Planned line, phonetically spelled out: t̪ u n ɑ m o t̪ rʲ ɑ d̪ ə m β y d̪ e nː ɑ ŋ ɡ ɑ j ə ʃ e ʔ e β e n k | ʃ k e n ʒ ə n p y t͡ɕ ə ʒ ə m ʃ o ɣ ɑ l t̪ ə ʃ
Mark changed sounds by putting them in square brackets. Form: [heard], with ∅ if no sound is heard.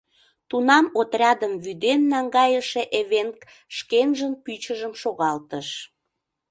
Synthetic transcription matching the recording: t̪ u n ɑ m o t̪ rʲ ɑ d̪ ə m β y d̪ e nː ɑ ŋ ɡ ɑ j ə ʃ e ʔ e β e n k | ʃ k e n ʒ ə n p y t͡ɕ ə ʒ ə m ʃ o ɣ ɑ l t̪ ə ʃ